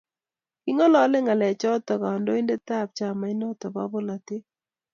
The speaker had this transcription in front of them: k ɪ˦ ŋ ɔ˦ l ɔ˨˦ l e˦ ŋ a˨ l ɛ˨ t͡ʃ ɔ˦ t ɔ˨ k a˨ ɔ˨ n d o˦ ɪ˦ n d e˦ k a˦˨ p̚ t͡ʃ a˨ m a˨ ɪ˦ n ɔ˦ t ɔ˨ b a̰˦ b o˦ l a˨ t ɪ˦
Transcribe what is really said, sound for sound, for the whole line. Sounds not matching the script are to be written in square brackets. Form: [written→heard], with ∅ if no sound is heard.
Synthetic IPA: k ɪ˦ ŋ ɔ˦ l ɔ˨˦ l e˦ ŋ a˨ l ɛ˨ t͡ʃ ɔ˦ t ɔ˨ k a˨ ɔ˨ n d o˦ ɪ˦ n d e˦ [k→t] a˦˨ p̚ t͡ʃ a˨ m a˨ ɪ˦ n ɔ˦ t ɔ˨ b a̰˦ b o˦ l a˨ t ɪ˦

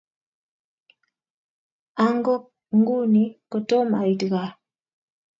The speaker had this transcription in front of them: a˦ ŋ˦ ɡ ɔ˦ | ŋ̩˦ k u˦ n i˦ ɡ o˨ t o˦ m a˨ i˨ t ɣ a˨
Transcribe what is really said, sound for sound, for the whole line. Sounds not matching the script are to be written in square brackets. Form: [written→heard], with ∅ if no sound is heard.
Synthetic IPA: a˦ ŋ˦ ɡ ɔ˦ | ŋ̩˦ [k→ɡ] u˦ n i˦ [ɡ→k] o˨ t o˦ m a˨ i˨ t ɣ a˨

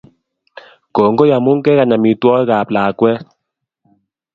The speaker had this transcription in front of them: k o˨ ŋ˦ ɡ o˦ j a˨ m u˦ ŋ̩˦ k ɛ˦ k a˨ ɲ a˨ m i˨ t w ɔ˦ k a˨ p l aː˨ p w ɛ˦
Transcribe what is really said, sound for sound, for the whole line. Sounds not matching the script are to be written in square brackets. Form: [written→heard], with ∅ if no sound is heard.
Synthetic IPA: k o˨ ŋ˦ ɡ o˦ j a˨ m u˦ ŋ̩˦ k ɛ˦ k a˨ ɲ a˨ m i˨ t w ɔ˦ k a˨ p l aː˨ [p→k] w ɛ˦

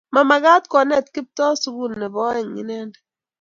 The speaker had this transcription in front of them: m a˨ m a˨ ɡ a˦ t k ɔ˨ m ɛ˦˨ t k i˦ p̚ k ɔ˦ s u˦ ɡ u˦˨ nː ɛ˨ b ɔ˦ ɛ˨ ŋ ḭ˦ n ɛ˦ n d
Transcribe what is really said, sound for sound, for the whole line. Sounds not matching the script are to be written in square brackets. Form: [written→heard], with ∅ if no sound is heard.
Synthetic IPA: m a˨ m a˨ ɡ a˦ t k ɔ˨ [m→n] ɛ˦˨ t k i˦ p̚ [k→t] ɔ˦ s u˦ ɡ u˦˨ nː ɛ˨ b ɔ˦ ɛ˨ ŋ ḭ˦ n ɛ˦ n d

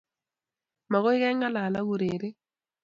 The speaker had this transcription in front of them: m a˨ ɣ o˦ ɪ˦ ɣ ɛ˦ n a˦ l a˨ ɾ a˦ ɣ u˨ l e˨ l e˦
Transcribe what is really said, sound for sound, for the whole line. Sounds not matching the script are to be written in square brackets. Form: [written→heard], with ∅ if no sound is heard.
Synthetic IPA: m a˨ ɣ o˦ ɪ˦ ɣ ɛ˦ [n→ŋ] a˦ l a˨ [ɾ→l] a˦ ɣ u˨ [l→ɾ] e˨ [l→ɾ] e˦

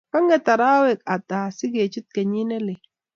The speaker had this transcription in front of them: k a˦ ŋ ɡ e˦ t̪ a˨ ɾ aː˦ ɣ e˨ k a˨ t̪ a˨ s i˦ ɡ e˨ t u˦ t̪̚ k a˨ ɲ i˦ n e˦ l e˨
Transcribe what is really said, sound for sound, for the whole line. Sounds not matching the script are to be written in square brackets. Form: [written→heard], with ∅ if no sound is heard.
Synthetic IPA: k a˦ ŋ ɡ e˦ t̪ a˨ ɾ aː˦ [ɣ→w] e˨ k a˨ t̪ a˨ s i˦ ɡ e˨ [t→t͡ʃ] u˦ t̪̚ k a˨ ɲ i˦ n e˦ l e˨

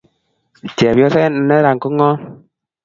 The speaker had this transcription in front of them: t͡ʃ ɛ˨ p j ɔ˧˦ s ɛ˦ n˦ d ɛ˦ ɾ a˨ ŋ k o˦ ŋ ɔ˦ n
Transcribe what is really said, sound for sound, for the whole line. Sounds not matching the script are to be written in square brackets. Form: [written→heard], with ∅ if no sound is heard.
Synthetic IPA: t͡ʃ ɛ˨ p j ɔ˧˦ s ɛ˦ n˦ [d→n] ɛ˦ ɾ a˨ ŋ k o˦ ŋ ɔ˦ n

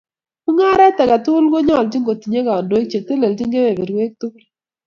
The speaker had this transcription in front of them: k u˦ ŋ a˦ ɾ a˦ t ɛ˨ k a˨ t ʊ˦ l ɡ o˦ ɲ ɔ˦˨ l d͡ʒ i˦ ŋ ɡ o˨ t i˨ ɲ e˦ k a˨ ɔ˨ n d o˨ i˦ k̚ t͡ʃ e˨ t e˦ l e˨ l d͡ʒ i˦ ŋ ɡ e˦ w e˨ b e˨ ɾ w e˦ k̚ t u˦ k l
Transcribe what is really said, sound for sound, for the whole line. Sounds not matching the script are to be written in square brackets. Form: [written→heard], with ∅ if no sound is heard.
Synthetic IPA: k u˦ ŋ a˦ ɾ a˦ t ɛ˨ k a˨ t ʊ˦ l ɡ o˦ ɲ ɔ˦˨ l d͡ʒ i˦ ŋ ɡ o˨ t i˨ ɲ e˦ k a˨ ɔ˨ n d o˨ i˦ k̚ t͡ʃ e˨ t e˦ l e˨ l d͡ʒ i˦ ŋ ɡ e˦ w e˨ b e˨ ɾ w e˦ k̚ t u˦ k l

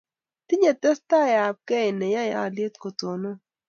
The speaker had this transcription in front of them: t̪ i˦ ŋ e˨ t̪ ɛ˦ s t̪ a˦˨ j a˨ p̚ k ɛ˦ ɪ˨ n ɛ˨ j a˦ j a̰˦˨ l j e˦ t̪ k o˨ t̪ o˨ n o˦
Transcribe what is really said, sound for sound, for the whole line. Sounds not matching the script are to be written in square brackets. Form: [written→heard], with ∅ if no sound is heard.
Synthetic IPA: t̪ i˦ [ŋ→ɲ] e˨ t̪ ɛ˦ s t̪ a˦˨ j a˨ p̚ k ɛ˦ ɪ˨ n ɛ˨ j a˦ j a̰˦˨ l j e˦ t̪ k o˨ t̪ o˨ n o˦

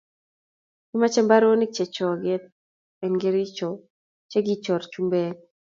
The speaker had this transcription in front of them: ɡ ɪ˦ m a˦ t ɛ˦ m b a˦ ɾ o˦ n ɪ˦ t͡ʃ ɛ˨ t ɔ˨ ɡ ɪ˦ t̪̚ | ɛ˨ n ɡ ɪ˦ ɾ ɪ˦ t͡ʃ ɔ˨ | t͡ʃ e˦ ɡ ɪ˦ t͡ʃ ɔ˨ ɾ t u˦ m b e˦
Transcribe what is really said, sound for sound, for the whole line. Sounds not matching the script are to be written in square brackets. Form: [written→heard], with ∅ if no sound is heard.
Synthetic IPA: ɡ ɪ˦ m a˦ [t→t͡ʃ] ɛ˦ m b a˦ ɾ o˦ n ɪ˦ t͡ʃ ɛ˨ [t→t͡ʃ] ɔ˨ ɡ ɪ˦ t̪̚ | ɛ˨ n ɡ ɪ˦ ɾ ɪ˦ t͡ʃ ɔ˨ | t͡ʃ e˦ ɡ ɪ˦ t͡ʃ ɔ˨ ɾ [t→t͡ʃ] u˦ m b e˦

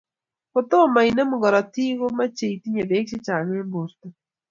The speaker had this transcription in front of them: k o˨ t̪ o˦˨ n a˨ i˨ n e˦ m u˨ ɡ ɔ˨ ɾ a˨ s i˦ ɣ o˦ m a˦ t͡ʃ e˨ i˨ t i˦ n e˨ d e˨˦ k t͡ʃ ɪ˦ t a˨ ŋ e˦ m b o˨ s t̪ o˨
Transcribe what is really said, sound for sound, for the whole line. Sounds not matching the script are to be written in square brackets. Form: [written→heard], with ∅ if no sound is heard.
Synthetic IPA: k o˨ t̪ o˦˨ [n→m] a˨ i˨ n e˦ m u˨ ɡ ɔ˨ ɾ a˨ [s→t] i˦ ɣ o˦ m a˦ t͡ʃ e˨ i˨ t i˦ [n→ɲ] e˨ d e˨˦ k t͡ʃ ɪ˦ [t→t͡ʃ] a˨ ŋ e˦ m b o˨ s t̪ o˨

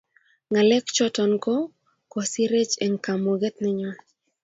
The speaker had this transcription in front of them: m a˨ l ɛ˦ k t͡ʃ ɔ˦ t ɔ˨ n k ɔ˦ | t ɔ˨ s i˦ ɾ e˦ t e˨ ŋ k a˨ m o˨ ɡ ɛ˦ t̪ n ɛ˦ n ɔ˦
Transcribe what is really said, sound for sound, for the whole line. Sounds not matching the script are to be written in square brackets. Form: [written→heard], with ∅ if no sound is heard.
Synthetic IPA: [m→ŋ] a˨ l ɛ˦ k t͡ʃ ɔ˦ t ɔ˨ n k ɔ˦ | [t→k] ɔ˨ s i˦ ɾ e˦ [t→t͡ʃ] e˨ ŋ k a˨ m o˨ ɡ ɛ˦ t̪ n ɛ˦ [n→ɲ] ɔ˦

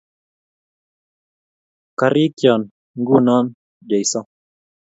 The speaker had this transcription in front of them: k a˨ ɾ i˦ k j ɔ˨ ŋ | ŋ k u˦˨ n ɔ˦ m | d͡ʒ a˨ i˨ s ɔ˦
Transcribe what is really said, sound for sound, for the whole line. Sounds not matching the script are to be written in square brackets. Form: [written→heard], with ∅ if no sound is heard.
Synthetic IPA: k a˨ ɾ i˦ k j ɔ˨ [ŋ→n] | ŋ [k→ɡ] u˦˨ n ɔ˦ [m→n] | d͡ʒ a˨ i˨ s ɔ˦

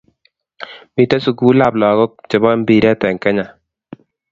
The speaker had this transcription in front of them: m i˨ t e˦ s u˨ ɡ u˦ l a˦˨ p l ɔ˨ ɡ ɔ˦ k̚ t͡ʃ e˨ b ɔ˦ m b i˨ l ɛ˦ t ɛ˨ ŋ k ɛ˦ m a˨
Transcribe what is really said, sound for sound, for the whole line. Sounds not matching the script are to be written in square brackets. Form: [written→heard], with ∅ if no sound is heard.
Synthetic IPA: m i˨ t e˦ s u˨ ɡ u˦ l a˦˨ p l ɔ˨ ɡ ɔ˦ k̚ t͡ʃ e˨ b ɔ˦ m b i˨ [l→ɾ] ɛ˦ t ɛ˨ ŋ k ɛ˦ [m→ɲ] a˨

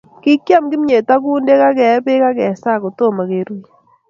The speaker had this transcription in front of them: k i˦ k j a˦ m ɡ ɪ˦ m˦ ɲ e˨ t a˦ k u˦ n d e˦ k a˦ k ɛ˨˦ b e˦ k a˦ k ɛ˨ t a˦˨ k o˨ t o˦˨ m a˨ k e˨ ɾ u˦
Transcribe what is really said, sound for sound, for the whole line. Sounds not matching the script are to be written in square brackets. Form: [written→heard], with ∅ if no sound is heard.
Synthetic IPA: k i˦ k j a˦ m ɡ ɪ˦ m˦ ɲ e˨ t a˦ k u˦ n d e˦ k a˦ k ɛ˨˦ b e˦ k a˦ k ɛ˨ [t→s] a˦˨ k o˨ t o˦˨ m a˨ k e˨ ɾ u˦

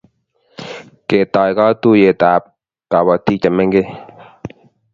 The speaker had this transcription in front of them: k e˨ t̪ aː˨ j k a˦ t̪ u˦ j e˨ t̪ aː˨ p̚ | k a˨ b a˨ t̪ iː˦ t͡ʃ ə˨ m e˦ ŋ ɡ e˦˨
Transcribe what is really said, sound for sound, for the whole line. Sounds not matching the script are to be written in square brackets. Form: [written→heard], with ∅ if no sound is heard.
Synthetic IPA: k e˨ t̪ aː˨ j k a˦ t̪ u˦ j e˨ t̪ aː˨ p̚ | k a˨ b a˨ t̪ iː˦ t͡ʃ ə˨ m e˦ ŋ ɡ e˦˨

